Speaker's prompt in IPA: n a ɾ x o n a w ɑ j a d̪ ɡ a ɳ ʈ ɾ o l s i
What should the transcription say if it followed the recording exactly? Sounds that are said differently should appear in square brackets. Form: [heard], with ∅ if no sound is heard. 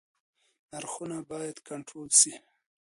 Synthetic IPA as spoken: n a ɾ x [u] n a [b] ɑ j a d̪ [k] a ɳ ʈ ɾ o l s i